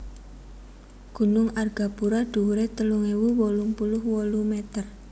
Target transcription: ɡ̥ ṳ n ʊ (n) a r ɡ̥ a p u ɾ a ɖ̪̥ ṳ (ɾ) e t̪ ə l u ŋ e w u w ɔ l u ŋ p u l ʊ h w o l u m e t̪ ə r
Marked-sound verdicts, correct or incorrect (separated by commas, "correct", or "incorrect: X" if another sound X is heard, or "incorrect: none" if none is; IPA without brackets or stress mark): incorrect: ŋ, correct